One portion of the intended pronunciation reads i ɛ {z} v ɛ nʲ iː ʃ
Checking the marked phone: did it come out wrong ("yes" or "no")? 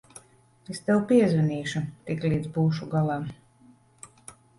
no